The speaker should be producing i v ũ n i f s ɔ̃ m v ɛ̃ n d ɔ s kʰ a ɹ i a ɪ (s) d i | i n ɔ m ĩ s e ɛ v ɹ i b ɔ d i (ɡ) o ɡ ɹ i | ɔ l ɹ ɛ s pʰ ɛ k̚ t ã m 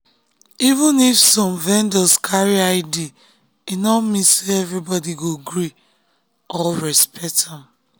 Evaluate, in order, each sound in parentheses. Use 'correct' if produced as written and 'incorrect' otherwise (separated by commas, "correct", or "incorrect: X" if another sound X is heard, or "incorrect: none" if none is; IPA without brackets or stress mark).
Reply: incorrect: none, correct